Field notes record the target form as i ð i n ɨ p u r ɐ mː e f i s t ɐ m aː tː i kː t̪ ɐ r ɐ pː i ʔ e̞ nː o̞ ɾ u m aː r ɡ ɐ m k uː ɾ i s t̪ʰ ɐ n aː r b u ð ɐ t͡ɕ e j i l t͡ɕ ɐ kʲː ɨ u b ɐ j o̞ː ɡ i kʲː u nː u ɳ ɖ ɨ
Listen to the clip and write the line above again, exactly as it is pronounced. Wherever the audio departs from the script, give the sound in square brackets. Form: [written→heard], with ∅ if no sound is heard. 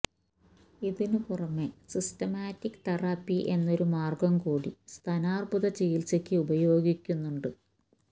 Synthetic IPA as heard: i ð i n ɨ p u r ɐ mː e [f→s] i s t ɐ m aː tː i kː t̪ ɐ r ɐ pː i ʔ e̞ nː o̞ ɾ u m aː r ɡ ɐ m k uː [ɾ→ɽ] i s t̪ʰ ɐ n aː r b u ð ɐ t͡ɕ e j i l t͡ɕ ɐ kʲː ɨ u b ɐ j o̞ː ɡ i kʲː u nː u ɳ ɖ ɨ

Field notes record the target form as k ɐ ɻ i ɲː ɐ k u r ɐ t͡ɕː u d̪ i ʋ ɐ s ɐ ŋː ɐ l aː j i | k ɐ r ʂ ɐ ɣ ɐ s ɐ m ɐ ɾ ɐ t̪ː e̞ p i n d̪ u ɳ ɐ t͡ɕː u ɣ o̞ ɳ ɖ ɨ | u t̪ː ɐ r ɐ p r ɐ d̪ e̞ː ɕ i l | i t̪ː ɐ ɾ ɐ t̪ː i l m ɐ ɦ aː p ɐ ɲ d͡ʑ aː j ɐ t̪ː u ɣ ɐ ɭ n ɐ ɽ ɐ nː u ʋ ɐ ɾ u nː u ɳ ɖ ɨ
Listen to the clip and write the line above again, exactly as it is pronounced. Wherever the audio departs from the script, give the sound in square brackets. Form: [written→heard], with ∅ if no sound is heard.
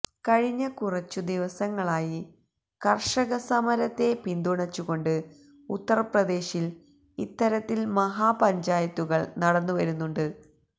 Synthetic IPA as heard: k ɐ ɻ i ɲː ɐ k u r ɐ t͡ɕː u d̪ i ʋ ɐ s ɐ ŋː ɐ [l→ɭ] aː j i | k ɐ r ʂ ɐ ɣ ɐ s ɐ m ɐ ɾ ɐ t̪ː e̞ p i n d̪ u ɳ ɐ t͡ɕː u ɣ o̞ ɳ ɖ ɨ | u t̪ː ɐ r ɐ p r ɐ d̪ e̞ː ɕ i l | i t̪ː ɐ ɾ ɐ t̪ː i l m ɐ ɦ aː p ɐ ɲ d͡ʑ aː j ɐ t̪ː u ɣ ɐ ɭ n ɐ ɽ ɐ nː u ʋ ɐ ɾ u nː u ɳ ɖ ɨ

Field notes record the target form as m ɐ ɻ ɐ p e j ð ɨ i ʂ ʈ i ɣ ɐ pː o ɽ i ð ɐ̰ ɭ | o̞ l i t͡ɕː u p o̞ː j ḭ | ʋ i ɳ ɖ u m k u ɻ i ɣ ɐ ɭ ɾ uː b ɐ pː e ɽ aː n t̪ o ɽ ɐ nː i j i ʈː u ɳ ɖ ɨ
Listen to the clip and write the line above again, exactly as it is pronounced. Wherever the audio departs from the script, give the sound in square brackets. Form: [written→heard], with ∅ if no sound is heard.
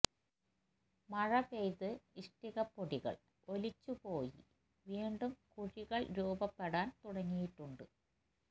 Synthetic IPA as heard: m ɐ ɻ ɐ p e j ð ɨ i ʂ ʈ i ɣ ɐ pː o ɽ i [ð→ɣ] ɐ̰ ɭ | o̞ l i t͡ɕː u p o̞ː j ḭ | ʋ [i→iː] ɳ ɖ u m k u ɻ i ɣ ɐ ɭ ɾ uː b ɐ pː e ɽ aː n t̪ [o→u] ɽ ɐ [nː→ŋː] i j i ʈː u ɳ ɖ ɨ

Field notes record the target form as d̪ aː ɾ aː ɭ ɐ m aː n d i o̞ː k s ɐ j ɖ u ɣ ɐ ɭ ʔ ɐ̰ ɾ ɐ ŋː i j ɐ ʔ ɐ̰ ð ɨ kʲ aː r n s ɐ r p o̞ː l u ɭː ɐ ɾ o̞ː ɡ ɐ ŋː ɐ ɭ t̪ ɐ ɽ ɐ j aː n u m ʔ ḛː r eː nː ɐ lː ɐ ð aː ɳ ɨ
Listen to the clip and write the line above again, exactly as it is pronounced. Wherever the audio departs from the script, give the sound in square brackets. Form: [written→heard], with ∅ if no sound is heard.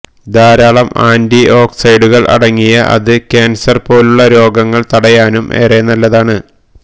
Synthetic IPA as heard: d̪ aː ɾ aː ɭ ɐ m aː n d i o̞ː k s ɐ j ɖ u ɣ ɐ ɭ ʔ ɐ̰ [ɾ→ɽ] ɐ ŋː i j ɐ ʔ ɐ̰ ð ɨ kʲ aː [r→∅] n s ɐ r p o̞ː l u ɭː ɐ ɾ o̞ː ɡ ɐ ŋː ɐ ɭ t̪ ɐ ɽ ɐ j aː n u m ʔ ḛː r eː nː ɐ lː ɐ ð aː ɳ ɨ

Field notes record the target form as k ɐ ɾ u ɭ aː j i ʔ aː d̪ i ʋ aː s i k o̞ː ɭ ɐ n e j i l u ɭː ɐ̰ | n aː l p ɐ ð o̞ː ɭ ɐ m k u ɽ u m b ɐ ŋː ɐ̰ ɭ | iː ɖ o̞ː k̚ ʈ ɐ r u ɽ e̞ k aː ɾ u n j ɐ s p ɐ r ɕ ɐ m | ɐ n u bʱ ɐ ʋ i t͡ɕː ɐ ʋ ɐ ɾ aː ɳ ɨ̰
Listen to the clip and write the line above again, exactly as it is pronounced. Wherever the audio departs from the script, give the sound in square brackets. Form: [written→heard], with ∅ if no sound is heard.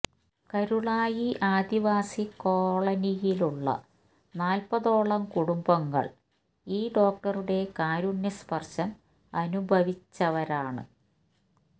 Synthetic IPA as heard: k ɐ ɾ u ɭ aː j i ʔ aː d̪ i ʋ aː s i k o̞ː ɭ ɐ n [e→i] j i l u ɭː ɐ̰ | n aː l p ɐ ð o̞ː ɭ ɐ m k u ɽ u m b ɐ ŋː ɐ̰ ɭ | iː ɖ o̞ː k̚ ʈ ɐ r u ɽ e̞ k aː ɾ u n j ɐ s p ɐ r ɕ ɐ m | ɐ n u bʱ ɐ ʋ i t͡ɕː ɐ ʋ ɐ ɾ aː ɳ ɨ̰

